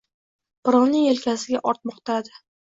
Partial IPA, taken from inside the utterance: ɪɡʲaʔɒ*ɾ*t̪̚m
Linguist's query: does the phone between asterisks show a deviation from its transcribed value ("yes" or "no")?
no